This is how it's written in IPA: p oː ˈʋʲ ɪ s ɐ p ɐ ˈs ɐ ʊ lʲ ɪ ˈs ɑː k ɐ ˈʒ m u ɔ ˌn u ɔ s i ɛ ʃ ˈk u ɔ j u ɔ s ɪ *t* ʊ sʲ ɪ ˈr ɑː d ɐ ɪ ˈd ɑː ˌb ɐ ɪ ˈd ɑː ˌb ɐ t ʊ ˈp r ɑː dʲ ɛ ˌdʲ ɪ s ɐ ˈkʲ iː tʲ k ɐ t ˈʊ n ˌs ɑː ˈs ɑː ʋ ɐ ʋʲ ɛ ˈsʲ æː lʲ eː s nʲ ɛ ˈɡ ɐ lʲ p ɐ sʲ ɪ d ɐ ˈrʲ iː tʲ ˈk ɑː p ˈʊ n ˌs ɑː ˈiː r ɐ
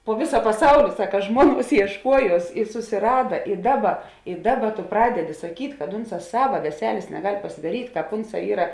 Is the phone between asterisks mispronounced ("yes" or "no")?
yes